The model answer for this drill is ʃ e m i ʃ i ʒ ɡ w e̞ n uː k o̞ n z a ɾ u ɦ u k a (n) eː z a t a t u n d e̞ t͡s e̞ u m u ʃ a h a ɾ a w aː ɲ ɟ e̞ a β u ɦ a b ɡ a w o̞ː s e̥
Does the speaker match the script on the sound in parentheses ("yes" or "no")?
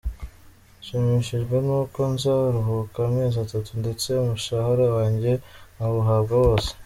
no